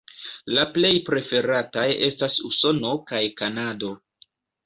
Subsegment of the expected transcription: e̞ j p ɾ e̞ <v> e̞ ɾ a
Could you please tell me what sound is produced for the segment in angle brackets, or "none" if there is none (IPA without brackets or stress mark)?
f